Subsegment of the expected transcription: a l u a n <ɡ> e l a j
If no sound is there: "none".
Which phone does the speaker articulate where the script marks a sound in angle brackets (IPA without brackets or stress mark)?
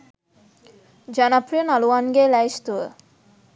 ɡ